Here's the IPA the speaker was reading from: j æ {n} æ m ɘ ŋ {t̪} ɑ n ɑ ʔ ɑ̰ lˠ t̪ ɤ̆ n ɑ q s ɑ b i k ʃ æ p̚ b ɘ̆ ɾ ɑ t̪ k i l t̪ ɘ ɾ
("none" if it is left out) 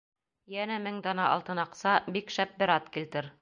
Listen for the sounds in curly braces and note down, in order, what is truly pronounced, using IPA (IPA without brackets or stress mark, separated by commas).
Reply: n, d̪